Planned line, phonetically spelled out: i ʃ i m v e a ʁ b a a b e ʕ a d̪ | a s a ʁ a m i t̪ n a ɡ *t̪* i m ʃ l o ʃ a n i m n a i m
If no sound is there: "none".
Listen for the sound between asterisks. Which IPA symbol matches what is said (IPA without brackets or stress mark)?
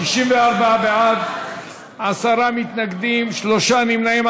d̪